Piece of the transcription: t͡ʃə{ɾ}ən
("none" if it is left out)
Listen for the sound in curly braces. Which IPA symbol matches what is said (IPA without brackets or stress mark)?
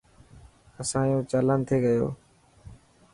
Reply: l